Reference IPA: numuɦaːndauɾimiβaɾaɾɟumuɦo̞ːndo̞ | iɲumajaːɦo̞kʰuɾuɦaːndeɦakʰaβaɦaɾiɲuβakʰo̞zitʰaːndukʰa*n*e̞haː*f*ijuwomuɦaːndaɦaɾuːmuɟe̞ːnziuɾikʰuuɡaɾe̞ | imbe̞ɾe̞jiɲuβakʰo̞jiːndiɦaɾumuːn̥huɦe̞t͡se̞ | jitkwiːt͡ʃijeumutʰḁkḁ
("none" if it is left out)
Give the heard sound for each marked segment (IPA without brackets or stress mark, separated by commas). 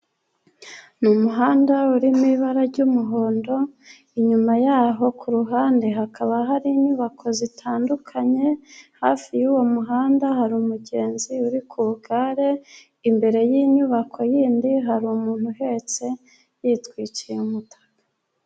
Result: ɲ, f